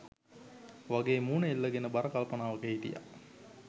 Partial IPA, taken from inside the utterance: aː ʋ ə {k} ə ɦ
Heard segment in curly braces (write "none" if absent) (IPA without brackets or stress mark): k